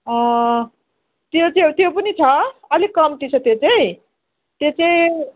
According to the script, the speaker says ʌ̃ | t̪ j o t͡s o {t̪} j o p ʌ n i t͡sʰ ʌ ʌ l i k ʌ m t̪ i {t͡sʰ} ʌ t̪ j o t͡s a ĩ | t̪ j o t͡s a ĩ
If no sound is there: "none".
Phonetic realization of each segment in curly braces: t̪, t͡sʰ

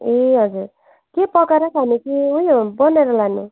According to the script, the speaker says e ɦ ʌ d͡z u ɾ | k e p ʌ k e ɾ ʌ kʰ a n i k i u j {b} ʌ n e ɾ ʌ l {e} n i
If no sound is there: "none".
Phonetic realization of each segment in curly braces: b, a

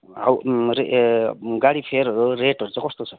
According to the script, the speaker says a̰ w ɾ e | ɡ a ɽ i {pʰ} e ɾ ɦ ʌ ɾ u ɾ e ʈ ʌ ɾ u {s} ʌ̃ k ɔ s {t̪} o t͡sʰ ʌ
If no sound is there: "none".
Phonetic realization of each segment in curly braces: pʰ, t͡s, t̪

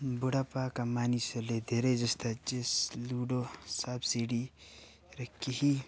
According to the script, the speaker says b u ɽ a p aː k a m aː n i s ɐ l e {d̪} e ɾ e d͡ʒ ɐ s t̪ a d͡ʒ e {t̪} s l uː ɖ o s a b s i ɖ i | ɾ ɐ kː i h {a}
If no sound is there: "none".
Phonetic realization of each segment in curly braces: d̪, none, i

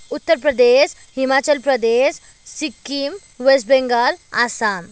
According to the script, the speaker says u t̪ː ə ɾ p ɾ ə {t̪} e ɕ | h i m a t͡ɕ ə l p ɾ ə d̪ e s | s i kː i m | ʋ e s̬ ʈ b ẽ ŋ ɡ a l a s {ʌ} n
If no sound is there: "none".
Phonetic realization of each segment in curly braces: d̪, a

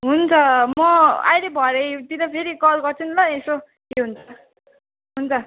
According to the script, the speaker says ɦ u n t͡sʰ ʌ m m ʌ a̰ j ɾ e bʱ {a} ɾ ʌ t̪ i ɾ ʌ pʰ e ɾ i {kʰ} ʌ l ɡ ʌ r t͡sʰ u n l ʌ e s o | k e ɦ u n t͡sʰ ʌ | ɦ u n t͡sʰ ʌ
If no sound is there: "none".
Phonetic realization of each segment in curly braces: ʌ, k

